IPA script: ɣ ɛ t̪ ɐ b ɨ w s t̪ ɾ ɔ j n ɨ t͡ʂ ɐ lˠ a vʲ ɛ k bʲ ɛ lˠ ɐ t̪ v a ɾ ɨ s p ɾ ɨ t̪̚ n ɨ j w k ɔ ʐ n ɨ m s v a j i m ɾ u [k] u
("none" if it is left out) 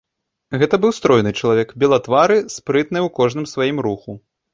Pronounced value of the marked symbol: x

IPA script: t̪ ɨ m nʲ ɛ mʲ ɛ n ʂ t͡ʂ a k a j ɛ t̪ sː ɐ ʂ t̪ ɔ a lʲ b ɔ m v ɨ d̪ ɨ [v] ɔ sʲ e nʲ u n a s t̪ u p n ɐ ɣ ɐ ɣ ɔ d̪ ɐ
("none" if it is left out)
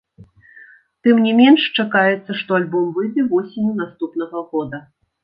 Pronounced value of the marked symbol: v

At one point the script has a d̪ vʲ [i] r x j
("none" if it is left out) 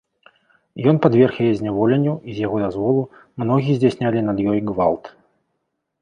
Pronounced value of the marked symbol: ɛ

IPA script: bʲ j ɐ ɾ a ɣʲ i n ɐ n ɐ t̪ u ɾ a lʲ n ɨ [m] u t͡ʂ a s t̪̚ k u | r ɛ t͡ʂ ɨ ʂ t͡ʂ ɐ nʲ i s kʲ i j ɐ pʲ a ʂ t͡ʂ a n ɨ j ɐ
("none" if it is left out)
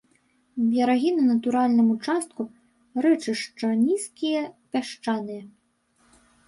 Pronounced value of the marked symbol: m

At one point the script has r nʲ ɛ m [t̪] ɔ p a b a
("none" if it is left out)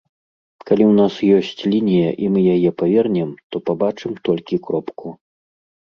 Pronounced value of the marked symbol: t̪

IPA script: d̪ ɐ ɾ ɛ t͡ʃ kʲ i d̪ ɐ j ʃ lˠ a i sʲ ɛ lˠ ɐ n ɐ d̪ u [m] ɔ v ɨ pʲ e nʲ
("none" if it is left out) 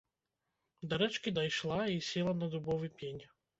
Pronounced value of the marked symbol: b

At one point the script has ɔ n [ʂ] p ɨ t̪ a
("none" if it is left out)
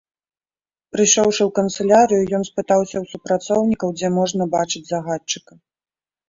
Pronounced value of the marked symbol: s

